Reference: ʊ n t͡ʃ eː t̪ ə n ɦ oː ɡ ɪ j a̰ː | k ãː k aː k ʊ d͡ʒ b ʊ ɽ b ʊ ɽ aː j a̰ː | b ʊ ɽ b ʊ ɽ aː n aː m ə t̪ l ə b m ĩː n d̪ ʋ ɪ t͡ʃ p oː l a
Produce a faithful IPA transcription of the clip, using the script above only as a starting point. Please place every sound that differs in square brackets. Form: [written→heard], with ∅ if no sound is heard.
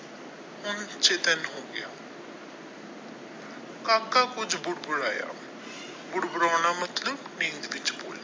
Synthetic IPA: ʊ n t͡ʃ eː t̪ ə n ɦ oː ɡ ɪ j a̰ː | k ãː k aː k ʊ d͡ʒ b ʊ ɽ b ʊ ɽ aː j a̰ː | b ʊ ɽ b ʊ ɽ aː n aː m ə t̪ l ə b [m→n] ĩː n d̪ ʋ ɪ t͡ʃ [p→b] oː l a